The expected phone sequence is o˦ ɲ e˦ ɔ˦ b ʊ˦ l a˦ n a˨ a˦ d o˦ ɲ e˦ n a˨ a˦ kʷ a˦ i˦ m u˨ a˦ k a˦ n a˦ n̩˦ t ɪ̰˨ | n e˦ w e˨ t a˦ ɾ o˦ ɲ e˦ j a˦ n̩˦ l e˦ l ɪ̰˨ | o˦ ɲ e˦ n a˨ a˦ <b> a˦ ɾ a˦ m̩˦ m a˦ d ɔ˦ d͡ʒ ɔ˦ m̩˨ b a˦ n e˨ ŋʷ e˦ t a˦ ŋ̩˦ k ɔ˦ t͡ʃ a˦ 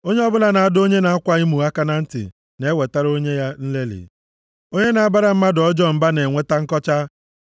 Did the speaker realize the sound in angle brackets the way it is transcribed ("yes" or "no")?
yes